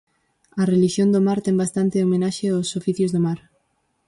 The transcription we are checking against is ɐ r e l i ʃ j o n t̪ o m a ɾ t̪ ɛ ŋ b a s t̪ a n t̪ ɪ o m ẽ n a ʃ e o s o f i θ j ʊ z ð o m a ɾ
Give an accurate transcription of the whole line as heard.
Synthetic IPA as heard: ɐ r e l i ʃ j o n d̪ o m a ɾ t̪ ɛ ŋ b a s t̪ a n t̪ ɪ o m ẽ n a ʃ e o s o f i θ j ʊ z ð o m a ɾ